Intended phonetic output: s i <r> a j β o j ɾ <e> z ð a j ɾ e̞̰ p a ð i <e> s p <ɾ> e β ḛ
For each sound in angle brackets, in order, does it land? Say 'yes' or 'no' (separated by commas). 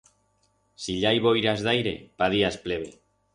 no, no, no, no